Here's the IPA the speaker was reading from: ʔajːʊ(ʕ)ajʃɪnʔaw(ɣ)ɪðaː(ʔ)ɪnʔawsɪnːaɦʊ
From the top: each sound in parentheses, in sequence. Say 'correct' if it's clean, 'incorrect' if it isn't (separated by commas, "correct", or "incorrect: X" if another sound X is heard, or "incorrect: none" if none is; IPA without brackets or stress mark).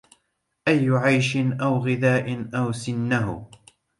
correct, correct, correct